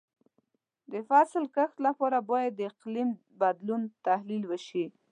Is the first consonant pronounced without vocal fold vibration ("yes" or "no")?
no